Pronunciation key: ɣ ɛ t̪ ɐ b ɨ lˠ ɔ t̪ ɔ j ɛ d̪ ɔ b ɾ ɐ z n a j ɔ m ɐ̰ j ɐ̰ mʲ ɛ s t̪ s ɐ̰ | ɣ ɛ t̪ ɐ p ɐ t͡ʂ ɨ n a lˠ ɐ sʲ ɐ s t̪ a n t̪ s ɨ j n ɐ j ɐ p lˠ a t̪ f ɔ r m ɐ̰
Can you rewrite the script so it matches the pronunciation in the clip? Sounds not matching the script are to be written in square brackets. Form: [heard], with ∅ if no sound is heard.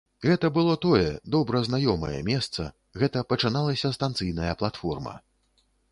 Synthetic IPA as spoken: ɣ ɛ t̪ ɐ b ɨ lˠ ɔ t̪ ɔ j ɛ d̪ ɔ b ɾ ɐ z n a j ɔ m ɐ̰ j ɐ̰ mʲ ɛ s t̪ s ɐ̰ | ɣ ɛ t̪ ɐ p ɐ t͡ʂ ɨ n a lˠ ɐ sʲ ɐ s t̪ a n t̪ s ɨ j n ɐ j ɐ p lˠ a t̪ f ɔ r m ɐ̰